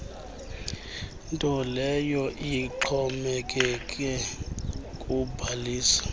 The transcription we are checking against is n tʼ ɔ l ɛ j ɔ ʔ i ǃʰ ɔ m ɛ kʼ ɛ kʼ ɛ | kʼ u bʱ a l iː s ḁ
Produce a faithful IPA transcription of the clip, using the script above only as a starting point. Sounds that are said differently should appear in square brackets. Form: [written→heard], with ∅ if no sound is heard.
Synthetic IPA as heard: n tʼ ɔ l ɛ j ɔ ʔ i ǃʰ ɔ m ɛ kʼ ɛ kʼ ɛ | kʼ u bʱ a l iː s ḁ